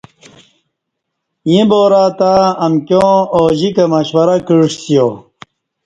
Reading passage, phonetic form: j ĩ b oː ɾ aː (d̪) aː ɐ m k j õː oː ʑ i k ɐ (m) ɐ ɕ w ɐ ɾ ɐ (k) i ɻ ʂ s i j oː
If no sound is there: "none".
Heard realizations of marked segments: t̪, m, k

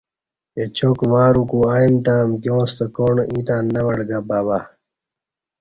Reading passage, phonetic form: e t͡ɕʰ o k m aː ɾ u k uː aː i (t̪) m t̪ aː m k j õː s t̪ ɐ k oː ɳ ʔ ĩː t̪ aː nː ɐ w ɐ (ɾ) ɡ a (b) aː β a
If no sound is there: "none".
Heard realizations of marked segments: none, ɽ, b

